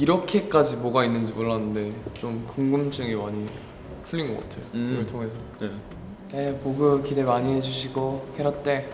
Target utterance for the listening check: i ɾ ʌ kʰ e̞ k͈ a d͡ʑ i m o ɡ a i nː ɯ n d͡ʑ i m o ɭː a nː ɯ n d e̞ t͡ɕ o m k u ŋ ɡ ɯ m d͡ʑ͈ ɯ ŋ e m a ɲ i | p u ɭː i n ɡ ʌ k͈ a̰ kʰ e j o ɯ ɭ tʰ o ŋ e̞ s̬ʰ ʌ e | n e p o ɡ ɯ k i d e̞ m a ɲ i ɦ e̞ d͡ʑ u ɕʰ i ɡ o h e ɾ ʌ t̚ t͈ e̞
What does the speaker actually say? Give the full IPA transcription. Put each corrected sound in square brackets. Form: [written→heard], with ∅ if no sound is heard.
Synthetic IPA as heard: i ɾ ʌ kʰ e̞ k͈ a d͡ʑ i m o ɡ a i nː ɯ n d͡ʑ i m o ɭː a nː ɯ n d e̞ t͡ɕ o m k u ŋ ɡ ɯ m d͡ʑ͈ ɯ ŋ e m a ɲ i | [p→pʰ] u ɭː i n ɡ ʌ k͈ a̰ [kʰ→tʰ] e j o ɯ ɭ tʰ o ŋ e̞ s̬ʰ ʌ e | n e p o ɡ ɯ k i d e̞ m a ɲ i ɦ e̞ d͡ʑ u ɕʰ i ɡ o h e ɾ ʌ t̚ t͈ e̞